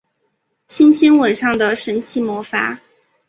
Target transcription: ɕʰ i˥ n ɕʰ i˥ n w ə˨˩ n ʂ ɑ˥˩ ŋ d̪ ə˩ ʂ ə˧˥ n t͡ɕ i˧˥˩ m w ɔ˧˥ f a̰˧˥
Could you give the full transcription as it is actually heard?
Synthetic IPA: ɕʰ i˥ n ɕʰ i˥ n w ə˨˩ n ʂ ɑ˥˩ ŋ d̪ ə˩ ʂ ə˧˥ n t͡ɕʰ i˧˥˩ m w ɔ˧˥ f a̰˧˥